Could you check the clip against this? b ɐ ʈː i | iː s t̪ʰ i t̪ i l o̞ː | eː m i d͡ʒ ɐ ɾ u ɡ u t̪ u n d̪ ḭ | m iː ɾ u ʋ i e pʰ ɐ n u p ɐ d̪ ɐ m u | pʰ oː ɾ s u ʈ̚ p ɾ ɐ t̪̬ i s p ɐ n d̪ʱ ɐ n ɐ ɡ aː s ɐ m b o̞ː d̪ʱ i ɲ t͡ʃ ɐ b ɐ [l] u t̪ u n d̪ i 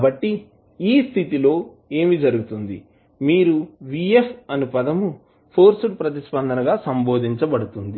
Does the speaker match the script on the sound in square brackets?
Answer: no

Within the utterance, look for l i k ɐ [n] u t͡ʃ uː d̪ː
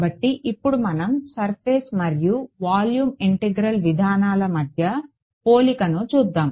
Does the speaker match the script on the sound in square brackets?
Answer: yes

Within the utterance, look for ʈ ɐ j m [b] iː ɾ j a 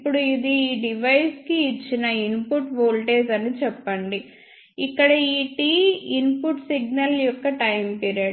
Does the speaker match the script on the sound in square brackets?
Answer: no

